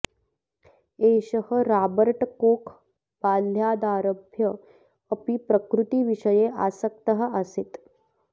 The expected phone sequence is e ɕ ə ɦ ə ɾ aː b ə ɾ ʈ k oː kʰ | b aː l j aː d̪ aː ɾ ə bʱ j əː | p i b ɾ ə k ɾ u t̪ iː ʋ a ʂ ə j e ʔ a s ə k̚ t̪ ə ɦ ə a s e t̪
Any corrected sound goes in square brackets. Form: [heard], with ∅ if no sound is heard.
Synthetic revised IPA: e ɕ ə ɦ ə ɾ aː b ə ɾ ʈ k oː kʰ | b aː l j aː d̪ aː ɾ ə bʱ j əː | p i [p] ɾ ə k ɾ u t̪ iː ʋ [i] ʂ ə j e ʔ a s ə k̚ t̪ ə ɦ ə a s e t̪